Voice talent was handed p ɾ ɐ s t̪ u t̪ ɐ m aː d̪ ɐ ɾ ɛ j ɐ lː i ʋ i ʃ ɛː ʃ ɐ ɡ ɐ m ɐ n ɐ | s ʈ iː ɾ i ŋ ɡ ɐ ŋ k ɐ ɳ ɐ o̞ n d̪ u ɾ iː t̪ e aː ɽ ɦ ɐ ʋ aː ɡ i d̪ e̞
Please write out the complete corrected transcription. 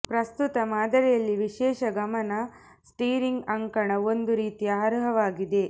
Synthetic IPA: p ɾ ɐ s t̪ u t̪ ɐ m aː d̪ ɐ ɾ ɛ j ɐ lː i ʋ i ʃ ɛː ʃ ɐ ɡ ɐ m ɐ n ɐ | s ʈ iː ɾ i ŋ ɡ ɐ ŋ k ɐ ɳ ɐ o̞ n d̪ u ɾ iː t̪ i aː ɾ ɦ ɐ ʋ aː ɡ i d̪ e̞

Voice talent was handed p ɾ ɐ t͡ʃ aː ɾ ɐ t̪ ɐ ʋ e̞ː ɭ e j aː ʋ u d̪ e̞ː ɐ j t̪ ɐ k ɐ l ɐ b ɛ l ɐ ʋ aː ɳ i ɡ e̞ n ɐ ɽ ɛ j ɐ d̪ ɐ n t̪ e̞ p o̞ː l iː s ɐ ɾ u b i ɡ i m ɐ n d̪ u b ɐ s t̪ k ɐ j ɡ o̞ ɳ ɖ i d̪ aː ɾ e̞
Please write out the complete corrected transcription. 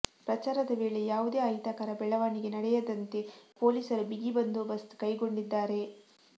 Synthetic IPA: p ɾ ɐ t͡ʃ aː ɾ ɐ d̪ ɐ ʋ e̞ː ɭ e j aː ʋ u d̪ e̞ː ɐ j t̪ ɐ k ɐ ɾ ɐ b ɛ ɭ ɐ ʋ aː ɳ i ɡ e̞ n ɐ ɽ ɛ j ɐ d̪ ɐ n t̪ e̞ p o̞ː l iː s ɐ ɾ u b i ɡ i b ɐ n d̪ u b ɐ s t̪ k ɐ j ɡ o̞ ɳ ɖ i d̪ː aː ɾ e̞

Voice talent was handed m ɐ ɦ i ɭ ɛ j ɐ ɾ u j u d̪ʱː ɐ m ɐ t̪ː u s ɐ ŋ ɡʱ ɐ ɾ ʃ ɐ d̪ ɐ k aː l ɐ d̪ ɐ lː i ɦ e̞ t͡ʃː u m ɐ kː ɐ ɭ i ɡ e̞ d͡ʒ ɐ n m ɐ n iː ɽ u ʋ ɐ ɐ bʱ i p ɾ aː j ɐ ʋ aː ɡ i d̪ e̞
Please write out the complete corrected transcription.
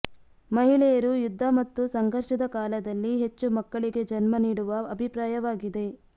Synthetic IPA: m ɐ ɦ i ɭ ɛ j ɐ ɾ u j u d̪ʱː ɐ m ɐ t̪ː u s ɐ ŋ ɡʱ ɐ ɾ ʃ ɐ d̪ ɐ k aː l ɐ d̪ ɐ lː i ɦ e̞ t͡ʃː u m ɐ kː ɐ ɭ i ɡ e̞ d͡ʒ ɐ n m ɐ n iː ɽ u ʋ ɐ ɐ bʱ i p ɾ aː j ɐ ʋ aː ɡ i d̪ e̞

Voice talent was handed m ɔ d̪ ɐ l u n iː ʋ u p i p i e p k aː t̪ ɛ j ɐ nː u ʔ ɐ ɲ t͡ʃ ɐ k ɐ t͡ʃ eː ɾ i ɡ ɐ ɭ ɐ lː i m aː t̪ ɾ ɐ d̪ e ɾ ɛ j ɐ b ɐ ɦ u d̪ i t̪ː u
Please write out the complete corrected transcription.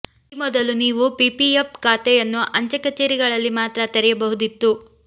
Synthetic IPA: m ɔ d̪ ɐ l u n iː ʋ u p i p i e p k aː t̪ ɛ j ɐ nː u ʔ ɐ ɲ t͡ʃ ɐ k ɐ t͡ʃ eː ɾ i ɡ ɐ ɭ ɐ lː i m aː t̪ ɾ ɐ t̪ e ɾ ɛ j ɐ b ɐ ɦ u d̪ i t̪ː u

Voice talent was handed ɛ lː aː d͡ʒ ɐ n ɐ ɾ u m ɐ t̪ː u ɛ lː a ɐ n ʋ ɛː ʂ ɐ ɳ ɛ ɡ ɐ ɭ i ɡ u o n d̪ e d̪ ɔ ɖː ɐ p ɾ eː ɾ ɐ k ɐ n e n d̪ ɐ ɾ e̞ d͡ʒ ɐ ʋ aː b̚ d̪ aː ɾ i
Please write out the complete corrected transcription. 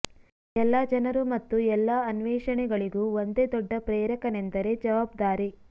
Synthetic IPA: ɛ lː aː d͡ʒ ɐ n ɐ ɾ u m ɐ t̪ː u ɛ lː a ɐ n ʋ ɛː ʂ ɐ ɳ ɛ ɡ ɐ ɭ i ɡ u o n d̪ e d̪ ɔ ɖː ɐ p ɾ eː ɾ ɐ k ɐ n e n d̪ ɐ ɾ e̞ d͡ʒ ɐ ʋ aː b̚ d̪ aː ɾ i

